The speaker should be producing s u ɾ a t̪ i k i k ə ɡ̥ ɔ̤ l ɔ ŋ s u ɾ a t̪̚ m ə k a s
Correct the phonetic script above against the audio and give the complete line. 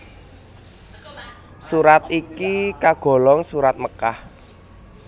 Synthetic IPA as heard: s u ɾ a t̪ i k i k a ɡ̥ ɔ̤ l ɔ ŋ s u ɾ a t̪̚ m ə k a h